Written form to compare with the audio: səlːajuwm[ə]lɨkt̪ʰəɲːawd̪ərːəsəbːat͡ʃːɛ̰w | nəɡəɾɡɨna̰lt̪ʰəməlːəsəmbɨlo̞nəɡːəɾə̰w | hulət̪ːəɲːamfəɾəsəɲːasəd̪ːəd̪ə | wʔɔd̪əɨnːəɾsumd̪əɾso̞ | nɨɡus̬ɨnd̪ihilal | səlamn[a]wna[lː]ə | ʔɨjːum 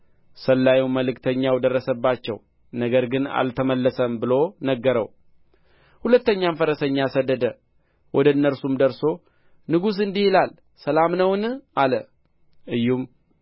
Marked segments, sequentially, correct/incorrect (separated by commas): correct, incorrect, incorrect